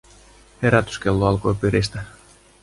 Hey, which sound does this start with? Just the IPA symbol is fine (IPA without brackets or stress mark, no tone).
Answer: h